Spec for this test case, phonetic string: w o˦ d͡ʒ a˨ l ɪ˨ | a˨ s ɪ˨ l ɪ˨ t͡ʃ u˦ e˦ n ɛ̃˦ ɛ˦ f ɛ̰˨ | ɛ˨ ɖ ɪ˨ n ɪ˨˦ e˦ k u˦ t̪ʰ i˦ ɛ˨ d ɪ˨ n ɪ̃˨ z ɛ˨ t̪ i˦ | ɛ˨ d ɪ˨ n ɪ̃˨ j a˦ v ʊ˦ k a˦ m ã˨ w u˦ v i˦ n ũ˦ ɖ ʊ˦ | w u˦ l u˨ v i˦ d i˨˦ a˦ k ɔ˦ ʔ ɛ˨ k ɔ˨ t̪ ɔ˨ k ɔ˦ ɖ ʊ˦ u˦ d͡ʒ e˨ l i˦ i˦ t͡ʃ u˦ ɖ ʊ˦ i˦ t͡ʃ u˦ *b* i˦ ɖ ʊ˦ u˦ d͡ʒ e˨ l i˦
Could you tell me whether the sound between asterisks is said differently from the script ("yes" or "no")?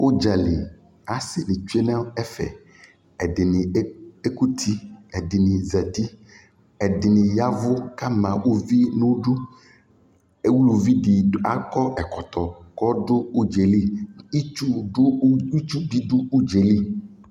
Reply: no